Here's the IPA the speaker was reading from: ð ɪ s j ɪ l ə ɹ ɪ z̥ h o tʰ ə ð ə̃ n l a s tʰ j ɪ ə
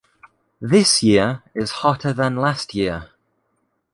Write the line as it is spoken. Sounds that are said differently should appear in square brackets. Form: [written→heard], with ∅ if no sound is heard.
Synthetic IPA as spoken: ð ɪ s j ɪ [l→∅] ə ɹ ɪ z̥ h [o→ɒ] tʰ ə ð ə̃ n l a s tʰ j ɪ ə